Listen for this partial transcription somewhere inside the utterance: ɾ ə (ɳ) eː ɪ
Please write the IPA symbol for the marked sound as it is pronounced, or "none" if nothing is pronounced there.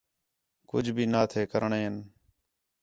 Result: ɳ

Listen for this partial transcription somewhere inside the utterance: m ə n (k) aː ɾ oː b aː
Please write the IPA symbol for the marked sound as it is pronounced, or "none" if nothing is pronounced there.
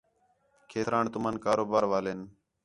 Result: k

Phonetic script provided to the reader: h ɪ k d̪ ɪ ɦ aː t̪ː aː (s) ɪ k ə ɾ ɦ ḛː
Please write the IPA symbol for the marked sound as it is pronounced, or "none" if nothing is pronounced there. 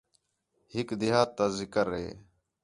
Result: z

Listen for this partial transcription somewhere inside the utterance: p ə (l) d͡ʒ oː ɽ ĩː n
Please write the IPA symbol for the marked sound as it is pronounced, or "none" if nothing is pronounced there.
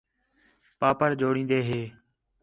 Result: ɾ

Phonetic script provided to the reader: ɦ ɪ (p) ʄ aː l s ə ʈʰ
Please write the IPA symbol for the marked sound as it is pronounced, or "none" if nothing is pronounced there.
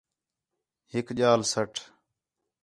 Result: k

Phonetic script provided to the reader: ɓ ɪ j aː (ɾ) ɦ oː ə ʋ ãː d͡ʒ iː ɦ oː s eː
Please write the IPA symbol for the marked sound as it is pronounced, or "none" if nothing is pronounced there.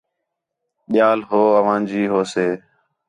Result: l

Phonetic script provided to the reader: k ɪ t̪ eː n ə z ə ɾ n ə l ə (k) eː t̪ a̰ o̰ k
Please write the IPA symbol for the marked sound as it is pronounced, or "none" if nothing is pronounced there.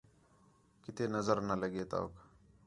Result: ɡ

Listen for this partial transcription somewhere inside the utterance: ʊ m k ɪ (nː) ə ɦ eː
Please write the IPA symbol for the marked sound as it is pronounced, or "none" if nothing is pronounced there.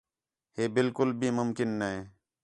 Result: nː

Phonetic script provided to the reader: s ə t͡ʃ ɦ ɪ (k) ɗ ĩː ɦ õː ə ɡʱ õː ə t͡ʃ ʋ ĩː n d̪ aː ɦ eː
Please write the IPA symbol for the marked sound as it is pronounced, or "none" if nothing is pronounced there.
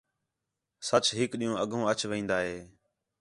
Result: k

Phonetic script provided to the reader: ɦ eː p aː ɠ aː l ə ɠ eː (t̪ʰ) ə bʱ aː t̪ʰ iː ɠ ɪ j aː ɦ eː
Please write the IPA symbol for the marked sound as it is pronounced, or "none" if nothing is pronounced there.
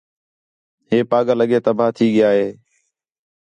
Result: t̪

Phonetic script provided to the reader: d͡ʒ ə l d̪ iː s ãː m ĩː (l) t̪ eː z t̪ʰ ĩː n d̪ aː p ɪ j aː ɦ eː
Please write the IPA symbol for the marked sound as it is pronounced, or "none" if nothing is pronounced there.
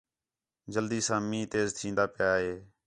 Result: none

